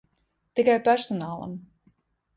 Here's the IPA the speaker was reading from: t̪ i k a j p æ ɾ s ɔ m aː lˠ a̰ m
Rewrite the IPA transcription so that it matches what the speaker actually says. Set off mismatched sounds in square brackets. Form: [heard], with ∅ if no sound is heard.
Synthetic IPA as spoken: t̪ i k a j p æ ɾ s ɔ [n] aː lˠ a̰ m